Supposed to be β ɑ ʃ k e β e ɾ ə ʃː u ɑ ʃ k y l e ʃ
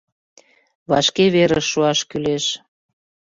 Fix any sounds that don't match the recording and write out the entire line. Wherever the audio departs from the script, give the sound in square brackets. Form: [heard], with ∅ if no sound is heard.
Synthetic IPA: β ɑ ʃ k e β e ɾ ə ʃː u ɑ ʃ k y l e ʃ